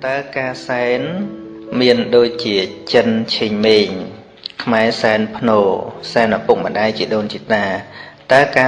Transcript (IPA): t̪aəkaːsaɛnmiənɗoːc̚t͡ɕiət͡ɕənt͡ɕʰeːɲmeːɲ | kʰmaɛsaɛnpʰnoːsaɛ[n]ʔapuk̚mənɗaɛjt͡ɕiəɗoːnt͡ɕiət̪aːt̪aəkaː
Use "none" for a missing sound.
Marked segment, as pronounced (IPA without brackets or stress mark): n